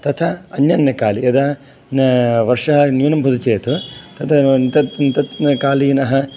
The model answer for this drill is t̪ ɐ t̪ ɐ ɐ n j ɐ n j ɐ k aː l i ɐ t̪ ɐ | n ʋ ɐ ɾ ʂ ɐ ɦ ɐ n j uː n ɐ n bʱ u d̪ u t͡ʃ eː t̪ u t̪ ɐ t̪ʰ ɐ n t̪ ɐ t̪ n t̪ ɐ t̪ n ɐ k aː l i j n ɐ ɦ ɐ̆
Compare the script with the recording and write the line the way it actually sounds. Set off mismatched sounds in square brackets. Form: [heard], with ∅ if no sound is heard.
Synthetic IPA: t̪ ɐ [t̪ʰ] ɐ ɐ n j ɐ n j ɐ k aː l i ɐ [d̪] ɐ | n ʋ ɐ ɾ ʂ ɐ ɦ ɐ n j uː n ɐ [m] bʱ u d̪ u t͡ʃ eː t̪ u t̪ ɐ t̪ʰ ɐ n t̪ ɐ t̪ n t̪ ɐ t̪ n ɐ k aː l i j n ɐ ɦ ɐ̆